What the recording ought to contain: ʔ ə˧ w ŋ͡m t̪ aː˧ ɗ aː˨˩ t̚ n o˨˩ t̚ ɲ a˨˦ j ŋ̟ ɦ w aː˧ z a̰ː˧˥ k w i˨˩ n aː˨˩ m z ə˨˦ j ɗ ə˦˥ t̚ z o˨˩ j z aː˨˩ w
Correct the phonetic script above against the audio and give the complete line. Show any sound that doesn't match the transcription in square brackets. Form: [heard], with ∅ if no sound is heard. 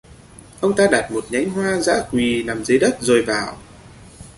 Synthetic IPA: ʔ ə˧ w ŋ͡m t̪ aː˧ ɗ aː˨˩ t̚ [m] o˨˩ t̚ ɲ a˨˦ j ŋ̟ ɦ w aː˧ z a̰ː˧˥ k w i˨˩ n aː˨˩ m z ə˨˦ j ɗ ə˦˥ t̚ z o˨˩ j [v] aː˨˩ w

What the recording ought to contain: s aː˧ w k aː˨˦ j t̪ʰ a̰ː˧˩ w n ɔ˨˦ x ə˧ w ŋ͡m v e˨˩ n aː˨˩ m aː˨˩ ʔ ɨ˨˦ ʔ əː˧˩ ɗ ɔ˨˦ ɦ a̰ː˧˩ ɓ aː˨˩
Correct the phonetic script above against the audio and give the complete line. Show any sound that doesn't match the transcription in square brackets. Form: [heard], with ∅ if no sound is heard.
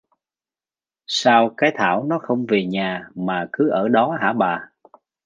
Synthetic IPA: s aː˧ w k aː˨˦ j t̪ʰ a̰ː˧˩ w n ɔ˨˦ x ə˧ w ŋ͡m v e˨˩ [ɲ] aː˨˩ m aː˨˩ [k] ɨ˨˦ ʔ əː˧˩ ɗ ɔ˨˦ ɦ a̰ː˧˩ ɓ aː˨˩

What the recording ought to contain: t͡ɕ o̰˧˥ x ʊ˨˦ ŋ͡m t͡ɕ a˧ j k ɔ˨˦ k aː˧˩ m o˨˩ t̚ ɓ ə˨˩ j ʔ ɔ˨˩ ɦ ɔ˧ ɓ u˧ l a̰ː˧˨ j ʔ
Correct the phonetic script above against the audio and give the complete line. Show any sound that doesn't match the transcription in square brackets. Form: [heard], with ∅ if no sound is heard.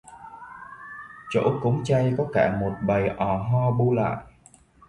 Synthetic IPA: t͡ɕ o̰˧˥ [k] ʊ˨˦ ŋ͡m t͡ɕ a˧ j k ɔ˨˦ k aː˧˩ m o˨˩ t̚ ɓ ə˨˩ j ʔ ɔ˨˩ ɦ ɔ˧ ɓ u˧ l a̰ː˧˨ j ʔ

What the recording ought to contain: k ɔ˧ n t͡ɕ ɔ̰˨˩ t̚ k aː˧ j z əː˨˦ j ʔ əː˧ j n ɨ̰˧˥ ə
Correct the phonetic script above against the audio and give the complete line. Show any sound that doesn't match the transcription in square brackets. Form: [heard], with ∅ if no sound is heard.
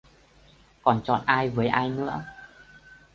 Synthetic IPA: k [ɔ˨˩] n t͡ɕ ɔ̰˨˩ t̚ [ʔ] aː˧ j [v] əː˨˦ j ʔ [aː˧] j n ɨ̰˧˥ ə

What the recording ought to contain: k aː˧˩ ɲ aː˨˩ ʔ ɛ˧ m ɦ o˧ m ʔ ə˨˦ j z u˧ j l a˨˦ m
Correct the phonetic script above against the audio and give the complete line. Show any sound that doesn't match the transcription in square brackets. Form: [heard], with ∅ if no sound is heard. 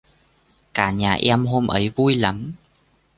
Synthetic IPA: k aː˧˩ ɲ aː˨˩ ʔ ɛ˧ m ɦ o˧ m ʔ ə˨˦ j [v] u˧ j l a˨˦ m

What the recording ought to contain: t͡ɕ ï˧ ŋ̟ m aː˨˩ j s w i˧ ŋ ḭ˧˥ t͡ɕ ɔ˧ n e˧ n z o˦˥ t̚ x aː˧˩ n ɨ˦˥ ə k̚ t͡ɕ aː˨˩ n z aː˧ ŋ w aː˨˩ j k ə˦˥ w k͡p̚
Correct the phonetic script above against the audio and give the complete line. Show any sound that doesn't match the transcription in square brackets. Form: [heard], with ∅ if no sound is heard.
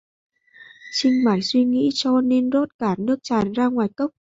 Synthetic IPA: t͡ɕ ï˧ ŋ̟ m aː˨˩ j s w i˧ ŋ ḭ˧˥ t͡ɕ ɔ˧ n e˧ n z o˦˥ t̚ [k] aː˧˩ n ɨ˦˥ ə k̚ t͡ɕ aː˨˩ n z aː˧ ŋ w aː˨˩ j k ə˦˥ w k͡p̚

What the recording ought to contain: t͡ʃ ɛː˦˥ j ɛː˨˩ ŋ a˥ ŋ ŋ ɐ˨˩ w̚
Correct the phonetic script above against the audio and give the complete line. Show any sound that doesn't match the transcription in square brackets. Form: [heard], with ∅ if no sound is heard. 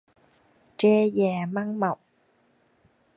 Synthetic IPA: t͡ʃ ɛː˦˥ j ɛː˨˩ [m] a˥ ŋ [m] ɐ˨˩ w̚

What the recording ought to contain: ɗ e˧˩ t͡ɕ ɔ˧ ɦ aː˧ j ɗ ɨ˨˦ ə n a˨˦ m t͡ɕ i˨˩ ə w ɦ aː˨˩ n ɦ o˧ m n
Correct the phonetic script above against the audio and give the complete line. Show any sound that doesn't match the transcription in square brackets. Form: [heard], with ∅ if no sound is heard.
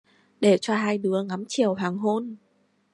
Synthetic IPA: ɗ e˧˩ t͡ɕ ɔ˧ ɦ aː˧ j ɗ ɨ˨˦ ə [ŋ] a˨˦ m t͡ɕ i˨˩ ə w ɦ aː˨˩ [ŋ] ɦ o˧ [∅] n

